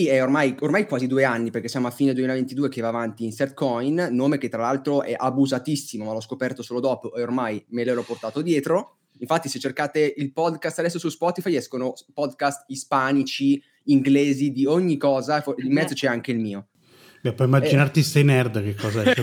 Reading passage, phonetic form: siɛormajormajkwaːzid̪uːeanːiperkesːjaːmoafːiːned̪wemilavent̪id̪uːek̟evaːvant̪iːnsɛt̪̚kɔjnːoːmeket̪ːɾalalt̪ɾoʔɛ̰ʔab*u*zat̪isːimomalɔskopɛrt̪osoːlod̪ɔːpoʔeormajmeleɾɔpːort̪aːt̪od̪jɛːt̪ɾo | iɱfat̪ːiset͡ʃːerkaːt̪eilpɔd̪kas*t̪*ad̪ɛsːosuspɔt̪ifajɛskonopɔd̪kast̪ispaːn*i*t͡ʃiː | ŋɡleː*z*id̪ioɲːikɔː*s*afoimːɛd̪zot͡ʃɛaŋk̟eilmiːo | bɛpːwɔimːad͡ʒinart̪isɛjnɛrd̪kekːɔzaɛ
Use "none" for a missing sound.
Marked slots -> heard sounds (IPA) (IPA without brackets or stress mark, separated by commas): u, t̪, i, z, z